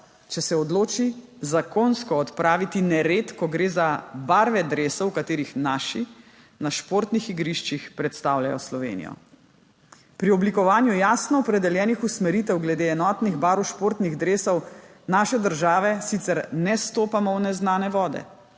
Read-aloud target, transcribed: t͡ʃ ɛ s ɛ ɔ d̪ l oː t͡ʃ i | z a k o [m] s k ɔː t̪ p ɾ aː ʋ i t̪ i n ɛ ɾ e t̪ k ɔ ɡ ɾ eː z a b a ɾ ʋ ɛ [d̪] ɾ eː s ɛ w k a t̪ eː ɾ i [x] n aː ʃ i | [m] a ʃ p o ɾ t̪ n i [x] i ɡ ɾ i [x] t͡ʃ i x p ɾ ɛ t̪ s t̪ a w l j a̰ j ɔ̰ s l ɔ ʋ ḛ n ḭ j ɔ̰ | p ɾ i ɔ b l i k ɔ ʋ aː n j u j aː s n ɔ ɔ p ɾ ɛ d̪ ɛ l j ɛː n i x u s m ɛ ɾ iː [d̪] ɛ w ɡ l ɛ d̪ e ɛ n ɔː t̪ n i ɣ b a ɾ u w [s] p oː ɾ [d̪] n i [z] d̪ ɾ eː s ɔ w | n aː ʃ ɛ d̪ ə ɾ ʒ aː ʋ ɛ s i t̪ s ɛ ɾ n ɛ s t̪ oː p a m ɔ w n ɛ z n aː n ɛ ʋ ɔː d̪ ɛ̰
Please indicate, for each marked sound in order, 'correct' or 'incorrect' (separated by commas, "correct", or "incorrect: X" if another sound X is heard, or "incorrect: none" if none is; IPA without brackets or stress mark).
incorrect: n, correct, correct, incorrect: n, correct, incorrect: ʃ, incorrect: t̪, incorrect: ʃ, incorrect: t̪, incorrect: ɣ